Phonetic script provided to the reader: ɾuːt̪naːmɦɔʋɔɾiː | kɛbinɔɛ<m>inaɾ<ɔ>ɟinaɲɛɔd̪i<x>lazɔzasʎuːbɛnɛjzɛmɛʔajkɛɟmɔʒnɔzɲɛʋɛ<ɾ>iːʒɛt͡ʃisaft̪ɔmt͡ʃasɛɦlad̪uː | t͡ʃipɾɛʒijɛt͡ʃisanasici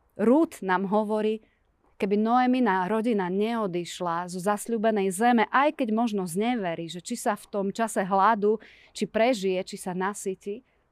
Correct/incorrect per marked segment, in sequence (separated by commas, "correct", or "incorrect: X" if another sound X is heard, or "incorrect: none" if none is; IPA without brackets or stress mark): correct, correct, incorrect: ʃ, correct